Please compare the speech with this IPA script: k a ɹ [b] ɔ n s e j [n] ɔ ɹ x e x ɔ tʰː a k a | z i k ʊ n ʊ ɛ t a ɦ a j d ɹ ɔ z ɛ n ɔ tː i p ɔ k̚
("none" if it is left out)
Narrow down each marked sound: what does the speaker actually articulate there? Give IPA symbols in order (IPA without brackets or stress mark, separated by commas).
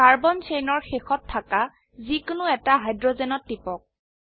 b, n